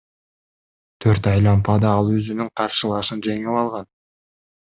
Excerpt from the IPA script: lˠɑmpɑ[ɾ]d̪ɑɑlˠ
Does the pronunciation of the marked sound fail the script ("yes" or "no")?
yes